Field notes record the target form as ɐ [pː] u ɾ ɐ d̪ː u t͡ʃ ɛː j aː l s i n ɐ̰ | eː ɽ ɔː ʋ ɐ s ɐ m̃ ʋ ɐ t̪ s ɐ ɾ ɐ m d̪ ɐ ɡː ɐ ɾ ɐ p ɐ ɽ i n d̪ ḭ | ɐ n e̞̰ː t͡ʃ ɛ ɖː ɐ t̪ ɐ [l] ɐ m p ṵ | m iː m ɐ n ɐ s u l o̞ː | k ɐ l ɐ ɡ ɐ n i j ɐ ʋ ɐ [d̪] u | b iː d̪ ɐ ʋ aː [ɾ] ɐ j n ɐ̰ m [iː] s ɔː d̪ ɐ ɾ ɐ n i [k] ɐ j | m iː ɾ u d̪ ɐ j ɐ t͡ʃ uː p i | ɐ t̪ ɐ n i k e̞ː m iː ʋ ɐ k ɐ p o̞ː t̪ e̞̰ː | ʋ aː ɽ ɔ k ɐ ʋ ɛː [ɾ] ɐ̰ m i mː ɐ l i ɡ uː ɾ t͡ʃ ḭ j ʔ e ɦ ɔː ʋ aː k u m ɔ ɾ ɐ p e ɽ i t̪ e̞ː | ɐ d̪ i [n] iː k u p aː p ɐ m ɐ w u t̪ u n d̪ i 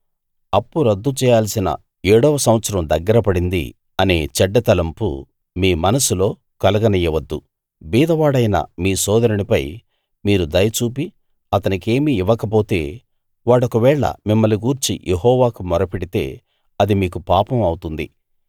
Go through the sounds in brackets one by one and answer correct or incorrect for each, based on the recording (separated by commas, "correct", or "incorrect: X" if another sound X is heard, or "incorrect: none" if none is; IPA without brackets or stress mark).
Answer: correct, correct, incorrect: d̪ː, incorrect: ɽ, correct, incorrect: p, incorrect: ɭ, incorrect: m